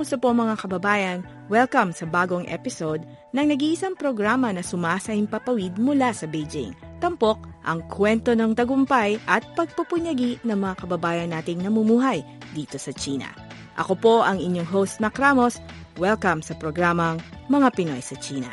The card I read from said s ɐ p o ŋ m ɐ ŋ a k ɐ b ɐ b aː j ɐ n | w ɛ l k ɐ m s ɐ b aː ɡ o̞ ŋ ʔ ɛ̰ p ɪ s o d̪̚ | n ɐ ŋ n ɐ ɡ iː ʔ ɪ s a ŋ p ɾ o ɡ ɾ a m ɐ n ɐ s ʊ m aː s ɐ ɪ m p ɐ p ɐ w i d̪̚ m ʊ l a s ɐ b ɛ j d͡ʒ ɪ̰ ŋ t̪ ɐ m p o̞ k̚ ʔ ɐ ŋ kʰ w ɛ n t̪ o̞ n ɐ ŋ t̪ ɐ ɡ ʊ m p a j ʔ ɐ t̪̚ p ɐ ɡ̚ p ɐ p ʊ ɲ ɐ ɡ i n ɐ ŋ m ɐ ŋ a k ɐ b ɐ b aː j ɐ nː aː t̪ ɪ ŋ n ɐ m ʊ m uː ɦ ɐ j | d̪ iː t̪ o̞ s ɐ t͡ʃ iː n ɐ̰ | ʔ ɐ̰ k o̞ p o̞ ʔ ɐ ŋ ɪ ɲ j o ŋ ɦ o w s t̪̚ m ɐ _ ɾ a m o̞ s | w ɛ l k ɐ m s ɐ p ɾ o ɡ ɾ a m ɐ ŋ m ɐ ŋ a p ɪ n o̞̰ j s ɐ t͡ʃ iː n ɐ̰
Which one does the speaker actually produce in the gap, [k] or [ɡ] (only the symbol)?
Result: k